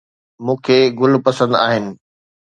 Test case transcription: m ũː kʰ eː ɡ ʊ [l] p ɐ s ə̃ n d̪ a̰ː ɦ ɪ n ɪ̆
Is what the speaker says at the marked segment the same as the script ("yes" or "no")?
yes